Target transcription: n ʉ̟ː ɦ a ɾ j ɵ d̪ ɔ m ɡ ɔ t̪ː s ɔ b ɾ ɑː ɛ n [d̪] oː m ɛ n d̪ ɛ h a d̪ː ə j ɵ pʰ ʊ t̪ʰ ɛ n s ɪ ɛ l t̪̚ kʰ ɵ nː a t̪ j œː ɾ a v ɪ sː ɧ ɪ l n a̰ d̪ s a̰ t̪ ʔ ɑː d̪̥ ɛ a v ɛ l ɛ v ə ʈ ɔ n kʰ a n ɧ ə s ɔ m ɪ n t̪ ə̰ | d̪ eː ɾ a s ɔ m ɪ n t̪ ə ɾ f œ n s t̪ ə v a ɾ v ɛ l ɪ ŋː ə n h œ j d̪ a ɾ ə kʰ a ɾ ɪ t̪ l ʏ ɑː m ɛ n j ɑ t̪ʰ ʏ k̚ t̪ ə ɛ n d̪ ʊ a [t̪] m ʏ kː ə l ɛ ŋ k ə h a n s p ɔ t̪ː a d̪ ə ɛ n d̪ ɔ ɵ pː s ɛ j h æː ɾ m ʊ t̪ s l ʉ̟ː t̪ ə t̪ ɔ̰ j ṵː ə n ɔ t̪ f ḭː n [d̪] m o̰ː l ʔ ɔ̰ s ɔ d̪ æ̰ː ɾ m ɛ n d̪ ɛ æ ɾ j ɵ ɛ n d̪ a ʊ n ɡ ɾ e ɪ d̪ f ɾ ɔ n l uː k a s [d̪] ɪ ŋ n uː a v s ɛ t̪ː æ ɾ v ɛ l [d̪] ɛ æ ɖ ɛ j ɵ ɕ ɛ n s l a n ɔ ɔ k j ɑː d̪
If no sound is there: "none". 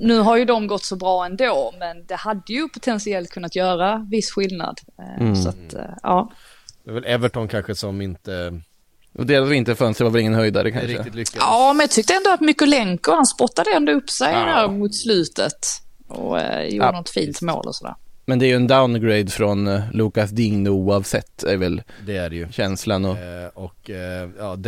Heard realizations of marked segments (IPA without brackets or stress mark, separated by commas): d̪, t̪, t̪, d̪, d̪